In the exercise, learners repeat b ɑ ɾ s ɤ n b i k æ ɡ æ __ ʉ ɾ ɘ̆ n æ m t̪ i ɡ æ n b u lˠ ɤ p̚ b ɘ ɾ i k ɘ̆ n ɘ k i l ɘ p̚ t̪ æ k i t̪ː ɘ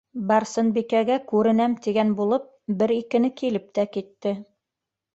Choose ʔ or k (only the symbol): k